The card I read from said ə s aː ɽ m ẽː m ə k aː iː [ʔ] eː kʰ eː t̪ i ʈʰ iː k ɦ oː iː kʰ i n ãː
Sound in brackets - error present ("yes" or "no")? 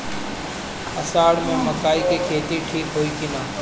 yes